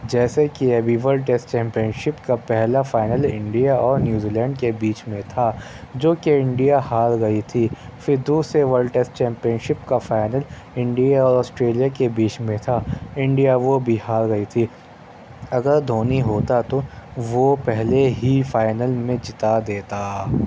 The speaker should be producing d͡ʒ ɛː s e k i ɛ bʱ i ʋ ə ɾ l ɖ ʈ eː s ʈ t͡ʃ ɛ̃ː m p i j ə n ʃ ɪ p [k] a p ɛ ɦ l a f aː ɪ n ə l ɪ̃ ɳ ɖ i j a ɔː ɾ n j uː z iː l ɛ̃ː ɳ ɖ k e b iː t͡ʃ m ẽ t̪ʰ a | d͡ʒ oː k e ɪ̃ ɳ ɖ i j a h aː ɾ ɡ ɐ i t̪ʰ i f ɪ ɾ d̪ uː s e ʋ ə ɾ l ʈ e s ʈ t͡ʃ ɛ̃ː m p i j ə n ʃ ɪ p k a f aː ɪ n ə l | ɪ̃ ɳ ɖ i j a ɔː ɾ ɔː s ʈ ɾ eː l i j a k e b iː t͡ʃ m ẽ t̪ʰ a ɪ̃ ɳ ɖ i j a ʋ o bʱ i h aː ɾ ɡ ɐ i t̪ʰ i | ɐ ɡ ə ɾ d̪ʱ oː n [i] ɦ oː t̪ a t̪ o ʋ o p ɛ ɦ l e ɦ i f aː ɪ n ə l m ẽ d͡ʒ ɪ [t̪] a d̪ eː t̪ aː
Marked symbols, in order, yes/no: yes, yes, yes

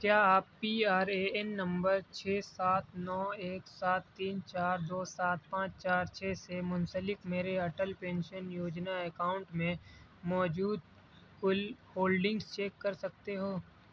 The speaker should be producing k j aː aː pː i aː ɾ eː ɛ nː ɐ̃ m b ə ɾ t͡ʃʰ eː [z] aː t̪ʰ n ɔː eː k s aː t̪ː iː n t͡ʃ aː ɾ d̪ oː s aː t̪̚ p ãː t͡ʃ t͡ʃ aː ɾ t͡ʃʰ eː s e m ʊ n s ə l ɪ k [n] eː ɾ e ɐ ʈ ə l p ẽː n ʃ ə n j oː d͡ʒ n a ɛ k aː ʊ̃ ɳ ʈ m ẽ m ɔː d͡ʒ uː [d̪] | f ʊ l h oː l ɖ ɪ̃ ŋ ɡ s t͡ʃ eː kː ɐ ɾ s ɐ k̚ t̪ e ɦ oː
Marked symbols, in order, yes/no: no, no, yes

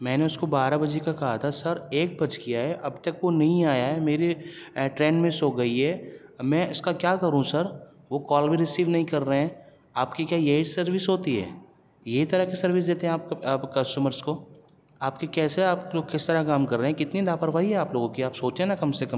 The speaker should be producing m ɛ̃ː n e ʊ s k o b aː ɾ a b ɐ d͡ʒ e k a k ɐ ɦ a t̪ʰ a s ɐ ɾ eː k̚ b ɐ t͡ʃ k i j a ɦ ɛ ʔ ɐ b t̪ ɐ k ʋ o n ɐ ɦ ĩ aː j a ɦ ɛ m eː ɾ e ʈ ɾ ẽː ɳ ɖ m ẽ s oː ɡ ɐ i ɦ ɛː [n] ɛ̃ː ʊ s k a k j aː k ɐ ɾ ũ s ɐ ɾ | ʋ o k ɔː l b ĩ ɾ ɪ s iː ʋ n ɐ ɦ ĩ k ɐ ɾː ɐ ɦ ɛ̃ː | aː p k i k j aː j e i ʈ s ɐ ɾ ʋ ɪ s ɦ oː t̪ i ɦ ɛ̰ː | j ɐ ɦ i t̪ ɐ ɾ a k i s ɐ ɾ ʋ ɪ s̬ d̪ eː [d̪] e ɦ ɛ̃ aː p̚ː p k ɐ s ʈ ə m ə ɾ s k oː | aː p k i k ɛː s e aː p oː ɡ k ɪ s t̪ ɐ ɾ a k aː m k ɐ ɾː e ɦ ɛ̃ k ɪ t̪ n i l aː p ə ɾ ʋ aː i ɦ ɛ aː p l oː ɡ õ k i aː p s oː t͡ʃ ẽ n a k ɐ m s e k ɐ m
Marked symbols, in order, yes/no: no, no

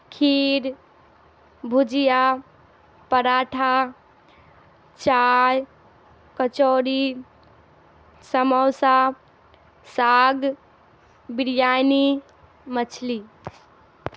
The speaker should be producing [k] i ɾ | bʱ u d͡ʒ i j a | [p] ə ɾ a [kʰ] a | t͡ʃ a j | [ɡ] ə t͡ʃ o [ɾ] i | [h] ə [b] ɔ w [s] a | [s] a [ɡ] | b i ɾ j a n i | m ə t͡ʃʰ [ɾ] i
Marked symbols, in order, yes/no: no, yes, no, no, yes, no, no, yes, yes, yes, no

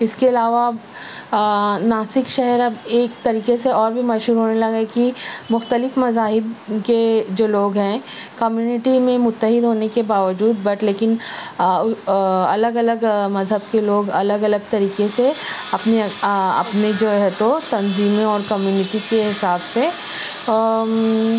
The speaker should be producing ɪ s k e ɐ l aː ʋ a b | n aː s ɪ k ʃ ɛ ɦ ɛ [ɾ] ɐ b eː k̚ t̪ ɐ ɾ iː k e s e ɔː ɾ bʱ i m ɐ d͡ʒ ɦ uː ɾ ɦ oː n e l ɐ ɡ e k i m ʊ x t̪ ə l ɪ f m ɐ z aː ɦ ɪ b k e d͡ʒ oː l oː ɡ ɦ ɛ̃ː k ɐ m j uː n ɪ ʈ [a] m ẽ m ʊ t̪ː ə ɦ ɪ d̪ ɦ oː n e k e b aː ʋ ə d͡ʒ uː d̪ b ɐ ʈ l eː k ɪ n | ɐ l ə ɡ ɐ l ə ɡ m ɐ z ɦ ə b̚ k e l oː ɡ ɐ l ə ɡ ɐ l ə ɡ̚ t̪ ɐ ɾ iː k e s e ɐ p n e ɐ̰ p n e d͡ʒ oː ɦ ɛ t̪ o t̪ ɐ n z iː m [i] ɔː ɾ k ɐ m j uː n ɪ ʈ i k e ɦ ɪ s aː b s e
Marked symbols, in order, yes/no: yes, no, no

